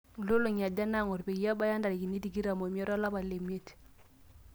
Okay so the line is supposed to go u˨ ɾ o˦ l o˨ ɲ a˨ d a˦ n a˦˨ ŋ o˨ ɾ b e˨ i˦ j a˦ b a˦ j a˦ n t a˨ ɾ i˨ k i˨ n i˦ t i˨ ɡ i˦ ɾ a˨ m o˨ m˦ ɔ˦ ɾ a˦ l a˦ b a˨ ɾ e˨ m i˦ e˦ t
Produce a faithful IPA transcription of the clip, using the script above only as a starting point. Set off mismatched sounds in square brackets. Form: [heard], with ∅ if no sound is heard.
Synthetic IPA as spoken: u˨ [l] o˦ l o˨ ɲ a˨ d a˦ n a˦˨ ŋ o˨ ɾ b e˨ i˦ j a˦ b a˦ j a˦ n [d] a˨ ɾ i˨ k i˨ n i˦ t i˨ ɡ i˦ ɾ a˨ m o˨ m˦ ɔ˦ ɾ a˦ l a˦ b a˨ [l] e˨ m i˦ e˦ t